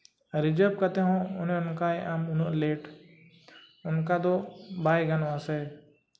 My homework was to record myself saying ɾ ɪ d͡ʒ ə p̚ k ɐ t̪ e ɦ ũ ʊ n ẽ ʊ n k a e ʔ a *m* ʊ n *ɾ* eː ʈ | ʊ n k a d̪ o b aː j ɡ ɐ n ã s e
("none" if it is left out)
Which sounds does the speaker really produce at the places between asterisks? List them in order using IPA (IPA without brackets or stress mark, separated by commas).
m, l